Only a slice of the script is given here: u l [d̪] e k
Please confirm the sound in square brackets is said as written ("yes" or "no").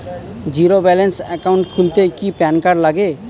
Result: no